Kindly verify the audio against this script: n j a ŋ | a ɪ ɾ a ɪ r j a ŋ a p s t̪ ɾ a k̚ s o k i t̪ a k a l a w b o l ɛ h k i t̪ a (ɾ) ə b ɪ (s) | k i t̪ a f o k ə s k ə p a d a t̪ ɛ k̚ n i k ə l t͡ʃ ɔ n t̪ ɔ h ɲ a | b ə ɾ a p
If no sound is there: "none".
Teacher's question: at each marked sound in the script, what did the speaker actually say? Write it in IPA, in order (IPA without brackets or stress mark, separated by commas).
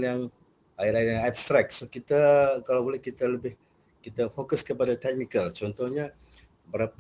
l, h